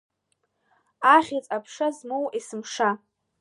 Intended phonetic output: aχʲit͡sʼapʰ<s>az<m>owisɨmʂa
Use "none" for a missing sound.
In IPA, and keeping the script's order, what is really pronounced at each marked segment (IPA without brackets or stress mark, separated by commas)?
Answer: ʂ, m